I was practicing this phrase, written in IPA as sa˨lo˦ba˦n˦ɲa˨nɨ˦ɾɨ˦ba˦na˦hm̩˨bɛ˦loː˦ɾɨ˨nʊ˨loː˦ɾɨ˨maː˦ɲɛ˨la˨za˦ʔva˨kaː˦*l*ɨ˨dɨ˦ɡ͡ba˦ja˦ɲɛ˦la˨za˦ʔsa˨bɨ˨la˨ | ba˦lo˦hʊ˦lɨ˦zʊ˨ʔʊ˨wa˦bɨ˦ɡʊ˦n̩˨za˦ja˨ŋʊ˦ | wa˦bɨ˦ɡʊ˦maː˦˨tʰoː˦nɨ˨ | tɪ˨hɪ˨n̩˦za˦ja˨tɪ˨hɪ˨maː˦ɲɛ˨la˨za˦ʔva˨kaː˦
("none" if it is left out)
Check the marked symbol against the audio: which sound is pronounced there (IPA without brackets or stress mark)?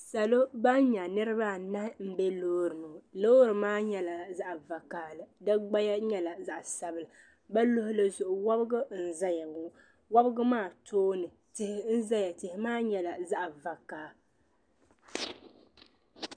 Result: l